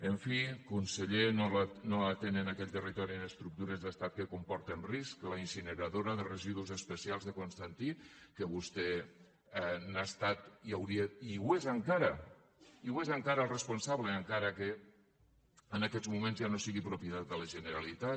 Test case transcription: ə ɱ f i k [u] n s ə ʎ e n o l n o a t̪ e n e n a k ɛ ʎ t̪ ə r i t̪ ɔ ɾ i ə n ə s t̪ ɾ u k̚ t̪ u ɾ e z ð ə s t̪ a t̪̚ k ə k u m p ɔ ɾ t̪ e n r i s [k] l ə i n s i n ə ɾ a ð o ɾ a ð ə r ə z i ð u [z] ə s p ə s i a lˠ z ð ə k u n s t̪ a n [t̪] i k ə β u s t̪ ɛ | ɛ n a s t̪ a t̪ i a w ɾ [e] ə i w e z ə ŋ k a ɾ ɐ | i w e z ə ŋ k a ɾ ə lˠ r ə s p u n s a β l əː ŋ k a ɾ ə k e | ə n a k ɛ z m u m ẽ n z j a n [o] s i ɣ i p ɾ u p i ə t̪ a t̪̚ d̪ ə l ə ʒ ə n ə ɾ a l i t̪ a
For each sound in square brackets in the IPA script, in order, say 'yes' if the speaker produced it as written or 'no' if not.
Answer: yes, yes, yes, yes, no, yes

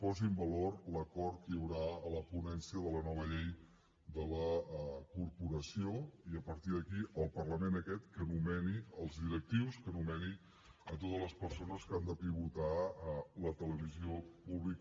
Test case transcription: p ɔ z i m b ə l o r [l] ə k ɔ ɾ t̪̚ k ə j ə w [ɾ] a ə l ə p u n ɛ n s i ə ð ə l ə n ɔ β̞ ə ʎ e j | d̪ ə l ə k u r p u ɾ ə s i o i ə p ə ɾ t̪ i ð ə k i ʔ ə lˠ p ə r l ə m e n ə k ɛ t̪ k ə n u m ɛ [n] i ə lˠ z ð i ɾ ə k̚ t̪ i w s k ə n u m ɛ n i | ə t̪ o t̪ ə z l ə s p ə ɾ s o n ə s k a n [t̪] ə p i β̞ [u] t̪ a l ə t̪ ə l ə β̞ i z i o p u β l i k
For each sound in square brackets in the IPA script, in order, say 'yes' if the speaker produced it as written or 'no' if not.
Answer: yes, yes, yes, no, yes

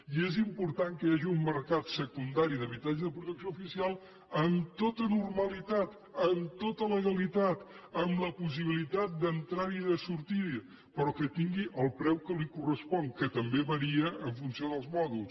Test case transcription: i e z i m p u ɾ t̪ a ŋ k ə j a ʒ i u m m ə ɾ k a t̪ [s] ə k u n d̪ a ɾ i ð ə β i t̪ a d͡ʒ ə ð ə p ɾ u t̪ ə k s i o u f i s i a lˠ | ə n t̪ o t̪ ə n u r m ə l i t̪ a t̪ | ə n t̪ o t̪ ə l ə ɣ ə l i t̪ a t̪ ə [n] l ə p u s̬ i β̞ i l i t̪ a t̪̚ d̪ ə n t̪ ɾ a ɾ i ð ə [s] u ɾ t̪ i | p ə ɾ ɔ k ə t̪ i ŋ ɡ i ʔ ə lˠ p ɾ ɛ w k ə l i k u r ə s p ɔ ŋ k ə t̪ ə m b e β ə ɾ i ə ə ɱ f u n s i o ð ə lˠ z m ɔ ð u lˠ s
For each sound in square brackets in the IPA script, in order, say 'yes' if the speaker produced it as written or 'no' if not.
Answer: yes, no, yes

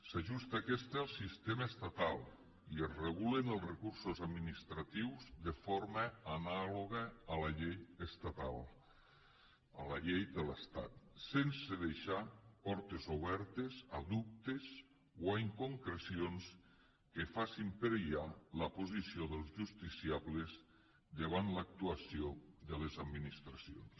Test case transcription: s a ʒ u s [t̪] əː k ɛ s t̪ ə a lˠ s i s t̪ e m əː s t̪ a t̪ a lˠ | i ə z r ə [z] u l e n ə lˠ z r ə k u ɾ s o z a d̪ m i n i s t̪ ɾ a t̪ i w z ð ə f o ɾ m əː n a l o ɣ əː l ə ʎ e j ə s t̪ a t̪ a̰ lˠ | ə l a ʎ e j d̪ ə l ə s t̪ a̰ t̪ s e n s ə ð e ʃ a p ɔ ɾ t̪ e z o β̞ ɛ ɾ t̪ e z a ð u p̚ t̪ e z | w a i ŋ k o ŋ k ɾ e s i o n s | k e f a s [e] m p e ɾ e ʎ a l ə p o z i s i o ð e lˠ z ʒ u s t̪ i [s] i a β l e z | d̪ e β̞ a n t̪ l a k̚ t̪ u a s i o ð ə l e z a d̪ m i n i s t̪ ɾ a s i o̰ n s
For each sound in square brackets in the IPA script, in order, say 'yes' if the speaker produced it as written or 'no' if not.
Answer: yes, no, no, yes

